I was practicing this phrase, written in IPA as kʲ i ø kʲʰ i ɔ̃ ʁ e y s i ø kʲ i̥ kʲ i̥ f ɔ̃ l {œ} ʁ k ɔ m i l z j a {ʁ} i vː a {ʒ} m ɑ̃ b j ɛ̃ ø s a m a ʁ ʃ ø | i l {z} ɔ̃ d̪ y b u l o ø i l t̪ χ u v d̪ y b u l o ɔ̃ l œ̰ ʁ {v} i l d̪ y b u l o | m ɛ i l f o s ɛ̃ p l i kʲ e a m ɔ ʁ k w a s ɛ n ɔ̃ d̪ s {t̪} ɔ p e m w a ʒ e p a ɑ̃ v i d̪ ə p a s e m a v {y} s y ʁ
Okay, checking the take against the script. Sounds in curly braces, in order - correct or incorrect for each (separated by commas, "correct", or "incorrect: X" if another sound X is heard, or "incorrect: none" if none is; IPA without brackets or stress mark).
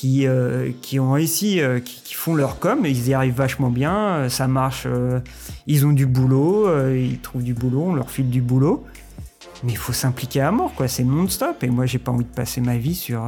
correct, correct, incorrect: ʃ, correct, incorrect: f, correct, incorrect: i